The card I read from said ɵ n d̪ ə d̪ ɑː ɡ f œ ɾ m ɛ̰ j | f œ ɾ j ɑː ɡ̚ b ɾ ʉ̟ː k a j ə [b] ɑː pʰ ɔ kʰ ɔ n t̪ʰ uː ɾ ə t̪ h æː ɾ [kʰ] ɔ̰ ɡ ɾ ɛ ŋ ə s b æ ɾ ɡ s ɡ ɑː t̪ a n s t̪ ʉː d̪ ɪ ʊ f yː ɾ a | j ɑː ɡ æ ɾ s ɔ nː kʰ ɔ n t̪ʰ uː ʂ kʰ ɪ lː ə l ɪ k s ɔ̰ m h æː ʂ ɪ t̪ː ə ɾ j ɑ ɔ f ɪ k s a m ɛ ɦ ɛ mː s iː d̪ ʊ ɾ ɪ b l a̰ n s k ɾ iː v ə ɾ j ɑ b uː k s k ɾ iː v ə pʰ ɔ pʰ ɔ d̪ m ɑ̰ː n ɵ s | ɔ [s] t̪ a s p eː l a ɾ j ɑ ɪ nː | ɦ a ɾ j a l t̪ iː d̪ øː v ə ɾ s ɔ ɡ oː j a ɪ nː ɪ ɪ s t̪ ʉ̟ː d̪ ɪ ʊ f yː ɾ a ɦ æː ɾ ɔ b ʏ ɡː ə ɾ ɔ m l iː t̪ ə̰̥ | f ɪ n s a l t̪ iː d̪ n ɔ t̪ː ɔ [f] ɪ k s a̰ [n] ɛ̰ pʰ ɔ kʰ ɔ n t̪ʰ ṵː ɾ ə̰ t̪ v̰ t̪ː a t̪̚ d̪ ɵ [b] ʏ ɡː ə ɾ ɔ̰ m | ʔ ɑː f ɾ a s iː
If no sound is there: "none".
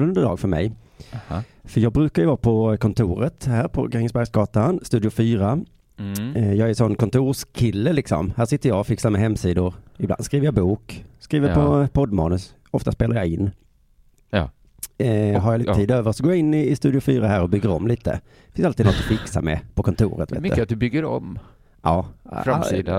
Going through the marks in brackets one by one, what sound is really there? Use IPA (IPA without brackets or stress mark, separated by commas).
v, pʰ, f, f, m, b